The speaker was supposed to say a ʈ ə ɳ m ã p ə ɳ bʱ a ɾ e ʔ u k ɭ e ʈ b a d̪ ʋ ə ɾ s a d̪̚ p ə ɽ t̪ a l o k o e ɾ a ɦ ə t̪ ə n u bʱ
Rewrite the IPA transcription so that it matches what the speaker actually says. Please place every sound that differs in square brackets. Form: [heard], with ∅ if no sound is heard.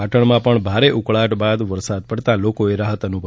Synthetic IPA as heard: a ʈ ə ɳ m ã p ə ɳ bʱ a ɾ e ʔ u k ɭ [a] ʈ b a d̪ ʋ ə ɾ s a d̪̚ p ə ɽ t̪ a l o k o e ɾ a ɦ ə t̪ ə n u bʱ